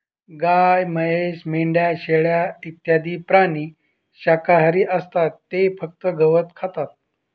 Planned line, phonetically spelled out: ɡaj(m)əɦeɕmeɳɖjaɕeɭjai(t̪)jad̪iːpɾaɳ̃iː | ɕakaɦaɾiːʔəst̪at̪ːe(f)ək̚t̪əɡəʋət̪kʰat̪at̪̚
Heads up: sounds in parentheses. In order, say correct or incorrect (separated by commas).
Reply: correct, correct, correct